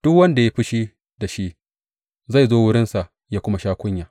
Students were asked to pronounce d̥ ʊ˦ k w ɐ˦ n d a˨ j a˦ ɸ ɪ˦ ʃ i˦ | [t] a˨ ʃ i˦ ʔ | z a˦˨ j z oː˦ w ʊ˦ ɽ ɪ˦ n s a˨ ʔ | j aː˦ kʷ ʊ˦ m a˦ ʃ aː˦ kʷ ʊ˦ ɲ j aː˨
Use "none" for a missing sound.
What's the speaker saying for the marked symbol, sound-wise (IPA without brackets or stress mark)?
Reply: d